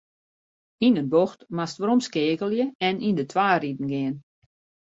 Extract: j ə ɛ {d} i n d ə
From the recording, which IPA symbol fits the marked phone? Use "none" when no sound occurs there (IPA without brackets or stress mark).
n